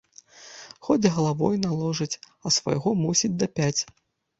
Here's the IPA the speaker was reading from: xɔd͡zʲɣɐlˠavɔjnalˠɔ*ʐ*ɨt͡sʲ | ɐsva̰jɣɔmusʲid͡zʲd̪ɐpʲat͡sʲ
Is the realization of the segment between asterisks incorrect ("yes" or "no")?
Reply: no